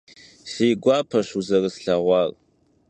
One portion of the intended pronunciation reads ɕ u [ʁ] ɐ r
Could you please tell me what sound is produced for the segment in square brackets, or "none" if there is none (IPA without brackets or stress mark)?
z